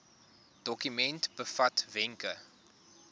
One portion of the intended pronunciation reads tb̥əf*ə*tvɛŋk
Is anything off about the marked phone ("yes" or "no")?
yes